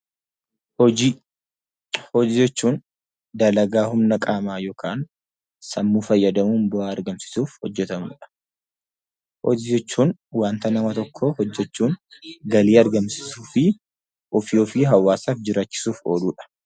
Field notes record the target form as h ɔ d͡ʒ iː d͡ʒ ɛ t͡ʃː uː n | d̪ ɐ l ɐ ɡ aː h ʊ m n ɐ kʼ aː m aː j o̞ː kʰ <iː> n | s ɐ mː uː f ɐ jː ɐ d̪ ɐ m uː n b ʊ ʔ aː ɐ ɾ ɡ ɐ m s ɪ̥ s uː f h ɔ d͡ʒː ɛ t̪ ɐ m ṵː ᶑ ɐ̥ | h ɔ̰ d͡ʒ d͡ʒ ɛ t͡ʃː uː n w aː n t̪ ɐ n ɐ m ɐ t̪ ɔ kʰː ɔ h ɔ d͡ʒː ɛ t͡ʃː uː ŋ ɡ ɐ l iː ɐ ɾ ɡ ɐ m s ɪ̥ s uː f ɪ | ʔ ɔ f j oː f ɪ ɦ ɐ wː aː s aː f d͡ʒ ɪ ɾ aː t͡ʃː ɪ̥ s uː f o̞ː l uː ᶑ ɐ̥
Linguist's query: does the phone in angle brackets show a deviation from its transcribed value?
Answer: yes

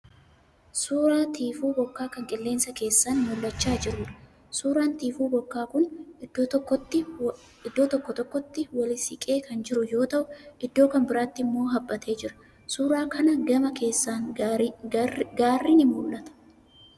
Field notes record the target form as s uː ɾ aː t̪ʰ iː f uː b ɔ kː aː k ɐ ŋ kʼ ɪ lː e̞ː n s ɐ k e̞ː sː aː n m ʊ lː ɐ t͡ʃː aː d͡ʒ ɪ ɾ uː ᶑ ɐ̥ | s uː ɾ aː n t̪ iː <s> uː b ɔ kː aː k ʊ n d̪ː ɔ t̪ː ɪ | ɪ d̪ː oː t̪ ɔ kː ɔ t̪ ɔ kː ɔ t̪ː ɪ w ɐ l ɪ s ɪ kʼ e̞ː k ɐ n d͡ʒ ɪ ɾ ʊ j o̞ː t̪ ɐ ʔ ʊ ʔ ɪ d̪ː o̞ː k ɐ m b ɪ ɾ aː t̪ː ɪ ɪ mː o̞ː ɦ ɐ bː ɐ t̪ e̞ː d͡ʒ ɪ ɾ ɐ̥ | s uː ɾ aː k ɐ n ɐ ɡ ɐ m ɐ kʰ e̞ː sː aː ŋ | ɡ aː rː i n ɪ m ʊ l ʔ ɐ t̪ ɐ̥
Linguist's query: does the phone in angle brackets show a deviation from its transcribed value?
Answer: yes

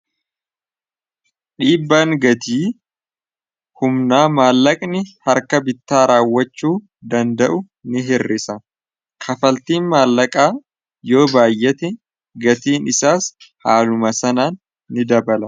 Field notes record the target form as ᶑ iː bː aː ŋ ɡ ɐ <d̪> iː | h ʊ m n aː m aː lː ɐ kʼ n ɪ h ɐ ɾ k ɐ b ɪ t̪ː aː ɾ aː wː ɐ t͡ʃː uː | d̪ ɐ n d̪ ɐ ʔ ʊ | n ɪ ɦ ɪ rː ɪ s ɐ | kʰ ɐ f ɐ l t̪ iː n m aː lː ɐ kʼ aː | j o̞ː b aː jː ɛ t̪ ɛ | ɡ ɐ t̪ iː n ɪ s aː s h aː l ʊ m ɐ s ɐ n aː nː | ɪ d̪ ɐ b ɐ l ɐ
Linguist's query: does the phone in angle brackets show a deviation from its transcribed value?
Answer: yes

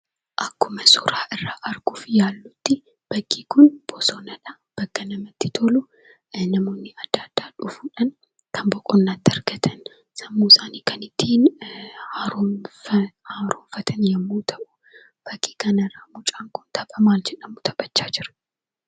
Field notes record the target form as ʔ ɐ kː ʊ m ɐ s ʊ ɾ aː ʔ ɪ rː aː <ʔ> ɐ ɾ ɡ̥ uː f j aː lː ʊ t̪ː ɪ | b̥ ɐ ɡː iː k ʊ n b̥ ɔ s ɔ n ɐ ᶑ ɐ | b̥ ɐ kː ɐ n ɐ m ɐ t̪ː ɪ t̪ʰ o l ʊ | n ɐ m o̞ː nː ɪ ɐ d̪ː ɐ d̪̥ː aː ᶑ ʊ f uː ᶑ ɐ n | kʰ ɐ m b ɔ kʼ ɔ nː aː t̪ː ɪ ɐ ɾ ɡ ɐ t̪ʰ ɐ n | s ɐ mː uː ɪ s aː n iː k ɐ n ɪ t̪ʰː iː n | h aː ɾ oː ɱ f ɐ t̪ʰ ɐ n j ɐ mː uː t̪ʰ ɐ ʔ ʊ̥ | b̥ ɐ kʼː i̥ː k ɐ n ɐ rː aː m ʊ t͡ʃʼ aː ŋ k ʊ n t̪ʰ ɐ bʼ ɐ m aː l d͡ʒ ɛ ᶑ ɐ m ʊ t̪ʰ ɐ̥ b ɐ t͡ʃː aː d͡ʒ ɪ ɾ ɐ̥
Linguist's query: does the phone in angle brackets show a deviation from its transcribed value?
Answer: no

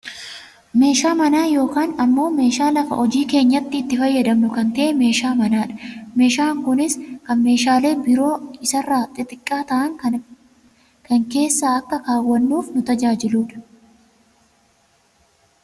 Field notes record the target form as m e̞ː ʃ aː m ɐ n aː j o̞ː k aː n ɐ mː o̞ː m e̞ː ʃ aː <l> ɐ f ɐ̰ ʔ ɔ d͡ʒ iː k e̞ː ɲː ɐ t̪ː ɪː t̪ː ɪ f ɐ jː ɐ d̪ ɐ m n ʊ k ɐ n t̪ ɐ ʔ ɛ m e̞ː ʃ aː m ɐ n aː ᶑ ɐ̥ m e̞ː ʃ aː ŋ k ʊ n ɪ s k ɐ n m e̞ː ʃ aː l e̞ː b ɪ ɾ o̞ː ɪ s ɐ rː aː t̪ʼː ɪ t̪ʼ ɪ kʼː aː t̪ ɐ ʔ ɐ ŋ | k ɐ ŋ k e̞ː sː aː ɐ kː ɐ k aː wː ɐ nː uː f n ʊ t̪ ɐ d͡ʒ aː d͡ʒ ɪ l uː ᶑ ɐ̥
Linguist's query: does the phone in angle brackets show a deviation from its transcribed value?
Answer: no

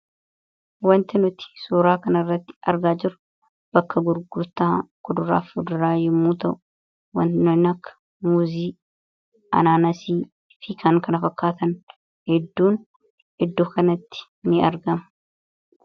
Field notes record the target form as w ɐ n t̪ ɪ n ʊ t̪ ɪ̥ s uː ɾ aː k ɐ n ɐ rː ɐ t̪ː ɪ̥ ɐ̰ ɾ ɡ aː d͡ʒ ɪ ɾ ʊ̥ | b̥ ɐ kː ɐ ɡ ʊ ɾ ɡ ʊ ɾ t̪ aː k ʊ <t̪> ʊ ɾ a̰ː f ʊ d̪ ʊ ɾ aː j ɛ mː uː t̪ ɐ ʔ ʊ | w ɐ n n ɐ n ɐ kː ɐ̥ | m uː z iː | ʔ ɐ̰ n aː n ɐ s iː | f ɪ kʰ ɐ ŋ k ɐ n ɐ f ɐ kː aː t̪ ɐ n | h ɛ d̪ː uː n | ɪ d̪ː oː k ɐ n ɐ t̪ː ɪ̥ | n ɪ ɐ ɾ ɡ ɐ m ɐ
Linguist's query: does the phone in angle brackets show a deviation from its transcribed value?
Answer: yes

